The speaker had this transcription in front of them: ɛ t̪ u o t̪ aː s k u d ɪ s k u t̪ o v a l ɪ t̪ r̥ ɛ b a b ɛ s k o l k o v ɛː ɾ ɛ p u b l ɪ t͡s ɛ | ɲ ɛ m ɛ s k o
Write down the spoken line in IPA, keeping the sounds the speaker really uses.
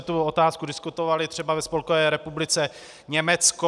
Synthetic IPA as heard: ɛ t̪ u o t̪ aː s k u d ɪ s k u t̪ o v a l ɪ t̪ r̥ ɛ b a v ɛ s p o l k o v ɛː ɾ ɛ p u b l ɪ t͡s ɛ | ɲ ɛ m ɛ t͡s k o

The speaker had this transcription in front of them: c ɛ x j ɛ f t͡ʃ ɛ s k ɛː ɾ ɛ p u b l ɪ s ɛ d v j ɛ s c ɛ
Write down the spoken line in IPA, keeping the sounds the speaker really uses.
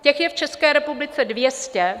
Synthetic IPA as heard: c ɛ x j ɛ f t͡ʃ ɛ s k ɛː ɾ ɛ p u b l ɪ t͡s ɛ d v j ɛ s c ɛ

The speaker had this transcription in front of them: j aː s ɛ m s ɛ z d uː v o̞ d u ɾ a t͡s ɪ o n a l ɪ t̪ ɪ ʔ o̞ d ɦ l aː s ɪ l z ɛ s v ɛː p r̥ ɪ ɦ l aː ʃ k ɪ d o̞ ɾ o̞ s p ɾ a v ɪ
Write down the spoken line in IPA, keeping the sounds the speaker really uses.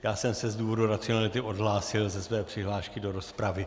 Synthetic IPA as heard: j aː s ɛ m s ɛ z d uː v o̞ d u ɾ a t͡s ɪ o n a l ɪ t̪ ɪ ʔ o̞ d ɦ l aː s ɪ l z ɛ s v ɛː p r̥ ɪ ɦ l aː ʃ k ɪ d o̞ ɾ o̞ s p ɾ a v ɪ

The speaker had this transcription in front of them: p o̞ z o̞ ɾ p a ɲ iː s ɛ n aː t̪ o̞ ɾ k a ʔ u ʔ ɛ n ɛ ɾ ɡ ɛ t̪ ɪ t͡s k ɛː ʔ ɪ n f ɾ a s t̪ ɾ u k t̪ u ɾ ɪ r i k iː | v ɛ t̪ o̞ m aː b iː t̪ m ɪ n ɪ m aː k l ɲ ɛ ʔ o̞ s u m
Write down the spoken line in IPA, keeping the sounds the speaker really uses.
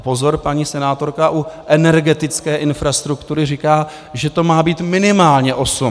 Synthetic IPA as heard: p o̞ z o̞ ɾ p a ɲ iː s ɛ n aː t̪ o̞ ɾ k a ʔ u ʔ ɛ n ɛ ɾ ɡ ɛ t̪ ɪ t͡s k ɛː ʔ ɪ n f ɾ a s t̪ ɾ u k t̪ u ɾ ɪ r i k aː | ʒ ɛ t̪ o̞ m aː b iː t̪ m ɪ n ɪ m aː l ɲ ɛ ʔ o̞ s u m

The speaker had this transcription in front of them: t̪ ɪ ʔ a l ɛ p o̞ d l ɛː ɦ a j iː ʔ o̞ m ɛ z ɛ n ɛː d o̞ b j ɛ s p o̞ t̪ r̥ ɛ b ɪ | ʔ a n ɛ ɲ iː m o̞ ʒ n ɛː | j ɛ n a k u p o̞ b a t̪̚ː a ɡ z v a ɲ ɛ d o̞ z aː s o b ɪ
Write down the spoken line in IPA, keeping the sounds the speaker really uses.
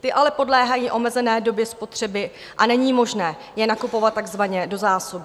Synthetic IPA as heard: t̪ ɪ ʔ a l ɛ p o̞ d l ɛː ɦ a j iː ʔ o̞ m ɛ z ɛ n ɛː d o̞ b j ɛ s p o̞ t̪ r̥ ɛ b ɪ | ʔ a n ɛ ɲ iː m o̞ ʒ n ɛː | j ɛ n a k u p o̞ v a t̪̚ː a ɡ z v a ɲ ɛ d o̞ z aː s o b ɪ

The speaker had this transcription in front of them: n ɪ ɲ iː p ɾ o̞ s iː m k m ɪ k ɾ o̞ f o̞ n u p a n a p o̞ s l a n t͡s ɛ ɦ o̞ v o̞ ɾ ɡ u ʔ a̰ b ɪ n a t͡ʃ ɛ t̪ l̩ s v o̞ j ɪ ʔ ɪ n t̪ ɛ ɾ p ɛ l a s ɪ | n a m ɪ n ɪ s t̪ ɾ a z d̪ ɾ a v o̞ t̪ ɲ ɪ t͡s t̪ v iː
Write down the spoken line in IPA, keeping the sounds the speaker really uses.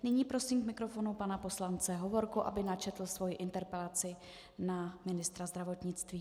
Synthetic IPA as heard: n ɪ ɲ iː p ɾ o̞ s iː m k m ɪ k ɾ o̞ f o̞ n u p a n a p o̞ s l a n t͡s ɛ ɦ o̞ v o̞ ɾ k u ʔ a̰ b ɪ n a t͡ʃ ɛ t̪ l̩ s v o̞ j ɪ ʔ ɪ n t̪ ɛ ɾ p ɛ l a t͡s ɪ | n a m ɪ n ɪ s t̪ ɾ a z d̪ ɾ a v o̞ t̪ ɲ ɪ t͡s t̪ v iː

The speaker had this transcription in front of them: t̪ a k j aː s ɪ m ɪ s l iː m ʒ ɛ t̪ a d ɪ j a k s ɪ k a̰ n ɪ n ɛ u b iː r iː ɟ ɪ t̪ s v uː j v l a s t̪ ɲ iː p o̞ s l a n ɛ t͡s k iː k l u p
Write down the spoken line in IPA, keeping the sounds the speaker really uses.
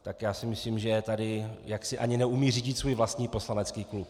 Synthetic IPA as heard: t̪ a k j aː s ɪ m ɪ s l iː m ʒ ɛ t̪ a d ɪ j a k s ɪ ʔ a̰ ɲ ɪ n ɛ u m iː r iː ɟ ɪ t̪ s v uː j v l a s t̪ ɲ iː p o̞ s l a n ɛ t͡s k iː k l u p

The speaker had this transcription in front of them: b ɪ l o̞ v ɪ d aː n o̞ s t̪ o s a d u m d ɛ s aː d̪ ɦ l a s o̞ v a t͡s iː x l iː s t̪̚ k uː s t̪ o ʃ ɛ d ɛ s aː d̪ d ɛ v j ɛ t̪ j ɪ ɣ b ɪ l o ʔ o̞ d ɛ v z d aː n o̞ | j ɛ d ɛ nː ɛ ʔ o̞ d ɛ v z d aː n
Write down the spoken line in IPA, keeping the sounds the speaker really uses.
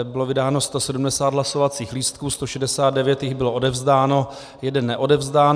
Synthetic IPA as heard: b ɪ l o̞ v ɪ d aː n o̞ s t̪ o s ɛ d u m d ɛ s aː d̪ ɦ l a s o̞ v a t͡s iː x l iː s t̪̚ k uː s t̪ o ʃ ɛ d ɛ s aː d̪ d ɛ v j ɛ t̪ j ɪ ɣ b ɪ l o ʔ o̞ d ɛ v z d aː n o̞ | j ɛ d ɛ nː ɛ ʔ o̞ d ɛ v z d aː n

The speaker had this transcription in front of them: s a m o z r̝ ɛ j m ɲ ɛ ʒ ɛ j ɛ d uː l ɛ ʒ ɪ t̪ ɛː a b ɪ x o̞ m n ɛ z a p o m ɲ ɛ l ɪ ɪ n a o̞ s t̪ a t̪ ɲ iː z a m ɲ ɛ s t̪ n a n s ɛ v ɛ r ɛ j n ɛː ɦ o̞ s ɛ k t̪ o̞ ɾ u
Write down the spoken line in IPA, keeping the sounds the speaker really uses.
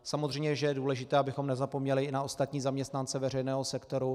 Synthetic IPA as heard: s a m o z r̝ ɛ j m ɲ ɛ ʒ ɛ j ɛ d uː l ɛ ʒ ɪ t̪ ɛː a b ɪ x o̞ m n ɛ z a p o m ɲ ɛ l ɪ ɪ n a o̞ s t̪ a t̪ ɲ iː z a m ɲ ɛ s t̪ n a n t͡s ɛ v ɛ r ɛ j n ɛː ɦ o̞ s ɛ k t̪ o̞ ɾ u

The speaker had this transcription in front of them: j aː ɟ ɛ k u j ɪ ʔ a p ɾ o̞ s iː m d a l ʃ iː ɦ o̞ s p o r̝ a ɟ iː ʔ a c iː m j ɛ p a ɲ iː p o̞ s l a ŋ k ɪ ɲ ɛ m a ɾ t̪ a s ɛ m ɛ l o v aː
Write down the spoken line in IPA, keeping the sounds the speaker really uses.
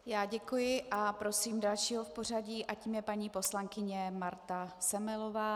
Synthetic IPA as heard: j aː ɟ ɛ k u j ɪ ʔ a p ɾ o̞ s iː m d a l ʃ iː ɦ o̞ f p o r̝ a ɟ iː ʔ a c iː m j ɛ p a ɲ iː p o̞ s l a ŋ k ɪ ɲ ɛ m a ɾ t̪ a s ɛ m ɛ l o v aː

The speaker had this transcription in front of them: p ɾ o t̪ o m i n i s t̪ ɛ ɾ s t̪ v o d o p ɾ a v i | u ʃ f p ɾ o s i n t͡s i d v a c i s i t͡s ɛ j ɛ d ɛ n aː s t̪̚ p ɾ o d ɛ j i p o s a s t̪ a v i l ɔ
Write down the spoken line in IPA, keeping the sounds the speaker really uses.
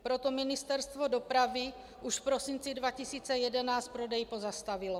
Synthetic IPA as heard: p ɾ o t̪ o m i n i s t̪ ɛ ɾ s t̪ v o d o p ɾ a v i | u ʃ f p ɾ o s i n t͡s i d v a c i s iː t͡s ɛ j ɛ d ɛ n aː s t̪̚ p ɾ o d ɛ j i p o z a s t̪ a v i l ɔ

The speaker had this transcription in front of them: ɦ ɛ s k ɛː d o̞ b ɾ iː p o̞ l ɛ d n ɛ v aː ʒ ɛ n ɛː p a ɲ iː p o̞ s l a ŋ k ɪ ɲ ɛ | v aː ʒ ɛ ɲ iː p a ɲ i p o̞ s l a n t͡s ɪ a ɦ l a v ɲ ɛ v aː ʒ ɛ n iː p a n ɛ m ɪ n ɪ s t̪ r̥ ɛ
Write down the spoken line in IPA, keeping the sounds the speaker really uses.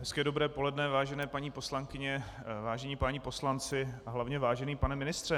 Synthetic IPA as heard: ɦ ɛ s k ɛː d o̞ b ɾ ɛː p o̞ l ɛ d n ɛ v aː ʒ ɛ n ɛː p a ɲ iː p o̞ s l a ŋ k ɪ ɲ ɛ | v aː ʒ ɛ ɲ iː p a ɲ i p o̞ s l a n t͡s ɪ a ɦ l a v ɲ ɛ v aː ʒ ɛ n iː p a n ɛ m ɪ n ɪ s t̪ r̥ ɛ

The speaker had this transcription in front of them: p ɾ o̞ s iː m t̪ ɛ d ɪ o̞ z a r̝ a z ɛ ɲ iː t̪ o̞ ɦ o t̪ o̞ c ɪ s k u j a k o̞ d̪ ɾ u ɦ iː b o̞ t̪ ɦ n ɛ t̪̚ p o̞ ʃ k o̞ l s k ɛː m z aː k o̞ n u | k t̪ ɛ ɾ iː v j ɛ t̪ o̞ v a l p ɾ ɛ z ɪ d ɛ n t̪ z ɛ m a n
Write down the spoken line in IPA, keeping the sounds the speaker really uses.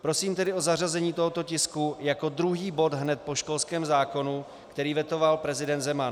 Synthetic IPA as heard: p ɾ o̞ s iː m t̪ ɛ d ɪ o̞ z a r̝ a z ɛ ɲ iː t̪ o̞ ɦ o t̪ o̞ c ɪ s k u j a k o̞ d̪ ɾ u ɦ iː b o̞ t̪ ɦ n ɛ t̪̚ p o̞ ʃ k o̞ l s k ɛː m z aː k o̞ n u | k t̪ ɛ ɾ iː v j ɛ t̪ o̞ v a l p ɾ ɛ z ɪ d ɛ n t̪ z ɛ m a n

